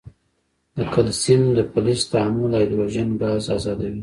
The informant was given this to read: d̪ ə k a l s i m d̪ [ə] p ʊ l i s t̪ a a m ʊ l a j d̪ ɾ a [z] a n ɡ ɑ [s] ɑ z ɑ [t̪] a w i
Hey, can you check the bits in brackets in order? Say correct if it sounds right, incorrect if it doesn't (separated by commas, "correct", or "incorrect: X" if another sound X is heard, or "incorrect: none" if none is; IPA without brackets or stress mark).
correct, incorrect: ʒ, incorrect: z, incorrect: d̪